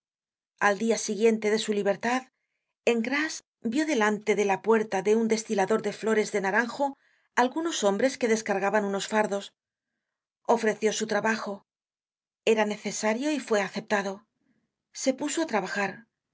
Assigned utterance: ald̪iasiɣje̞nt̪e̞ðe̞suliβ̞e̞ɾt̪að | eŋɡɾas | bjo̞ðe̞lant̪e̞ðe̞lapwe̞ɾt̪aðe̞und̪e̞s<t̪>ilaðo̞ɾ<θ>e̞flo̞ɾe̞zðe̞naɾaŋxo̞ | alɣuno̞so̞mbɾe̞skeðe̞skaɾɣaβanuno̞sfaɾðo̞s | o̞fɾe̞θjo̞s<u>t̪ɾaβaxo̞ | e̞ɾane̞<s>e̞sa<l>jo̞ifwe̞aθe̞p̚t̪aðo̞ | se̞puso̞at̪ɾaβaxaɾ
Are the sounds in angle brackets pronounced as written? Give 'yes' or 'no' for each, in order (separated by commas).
yes, no, yes, no, no